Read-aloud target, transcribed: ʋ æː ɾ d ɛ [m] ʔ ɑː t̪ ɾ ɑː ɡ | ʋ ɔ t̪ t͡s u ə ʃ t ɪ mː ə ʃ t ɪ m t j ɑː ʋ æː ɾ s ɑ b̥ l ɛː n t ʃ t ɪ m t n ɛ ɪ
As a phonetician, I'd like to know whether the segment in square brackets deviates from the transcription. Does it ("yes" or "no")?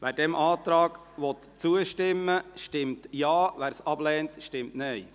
no